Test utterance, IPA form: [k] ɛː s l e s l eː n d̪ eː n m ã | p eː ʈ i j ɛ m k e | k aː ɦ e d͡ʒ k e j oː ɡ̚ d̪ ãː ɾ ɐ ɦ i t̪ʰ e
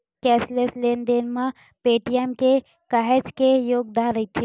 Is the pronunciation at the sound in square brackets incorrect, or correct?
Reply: correct